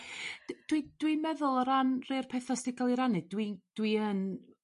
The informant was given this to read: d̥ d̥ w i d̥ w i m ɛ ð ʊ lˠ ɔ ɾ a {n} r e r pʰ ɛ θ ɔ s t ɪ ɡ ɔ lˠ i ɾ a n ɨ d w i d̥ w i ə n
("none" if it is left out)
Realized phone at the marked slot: n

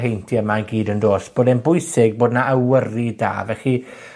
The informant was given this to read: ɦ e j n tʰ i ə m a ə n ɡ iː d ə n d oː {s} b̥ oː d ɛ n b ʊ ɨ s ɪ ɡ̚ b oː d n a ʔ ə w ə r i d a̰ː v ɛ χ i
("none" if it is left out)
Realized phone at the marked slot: s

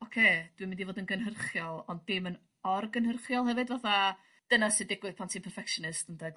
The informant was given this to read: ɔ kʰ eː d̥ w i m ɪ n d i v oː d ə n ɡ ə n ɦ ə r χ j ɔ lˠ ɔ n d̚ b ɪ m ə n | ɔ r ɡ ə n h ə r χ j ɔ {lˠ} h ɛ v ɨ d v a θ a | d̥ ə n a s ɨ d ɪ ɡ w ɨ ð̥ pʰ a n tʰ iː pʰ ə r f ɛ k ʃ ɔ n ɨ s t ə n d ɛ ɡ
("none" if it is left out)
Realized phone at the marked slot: lˠ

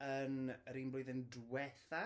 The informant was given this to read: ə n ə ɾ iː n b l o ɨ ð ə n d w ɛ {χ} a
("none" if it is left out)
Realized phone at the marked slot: θ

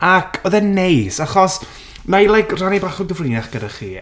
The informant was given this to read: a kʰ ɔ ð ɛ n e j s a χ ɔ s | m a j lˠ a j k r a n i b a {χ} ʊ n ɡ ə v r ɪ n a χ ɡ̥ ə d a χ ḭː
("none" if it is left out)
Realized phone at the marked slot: χ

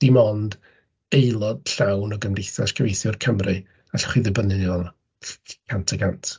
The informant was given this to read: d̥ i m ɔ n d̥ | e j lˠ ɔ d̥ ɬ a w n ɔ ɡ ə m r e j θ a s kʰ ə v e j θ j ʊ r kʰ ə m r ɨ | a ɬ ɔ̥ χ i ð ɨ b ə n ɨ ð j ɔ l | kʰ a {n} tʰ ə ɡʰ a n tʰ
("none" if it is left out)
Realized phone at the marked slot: n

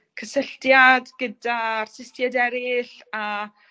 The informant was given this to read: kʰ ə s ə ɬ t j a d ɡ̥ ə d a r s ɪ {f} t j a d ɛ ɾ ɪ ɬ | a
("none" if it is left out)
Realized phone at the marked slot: s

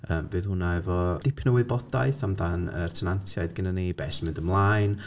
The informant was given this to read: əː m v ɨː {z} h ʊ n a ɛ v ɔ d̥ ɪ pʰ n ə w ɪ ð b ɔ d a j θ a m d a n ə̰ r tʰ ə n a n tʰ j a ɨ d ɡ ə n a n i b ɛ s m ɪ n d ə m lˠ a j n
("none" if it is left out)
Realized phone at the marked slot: ð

